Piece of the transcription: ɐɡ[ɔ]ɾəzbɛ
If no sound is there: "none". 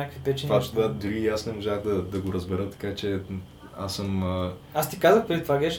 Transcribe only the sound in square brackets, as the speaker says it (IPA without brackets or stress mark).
o